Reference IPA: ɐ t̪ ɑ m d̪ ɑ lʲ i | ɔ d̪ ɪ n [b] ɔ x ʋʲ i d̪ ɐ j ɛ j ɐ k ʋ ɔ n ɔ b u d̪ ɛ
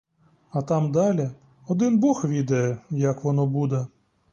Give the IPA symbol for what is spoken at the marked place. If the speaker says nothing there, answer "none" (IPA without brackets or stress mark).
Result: b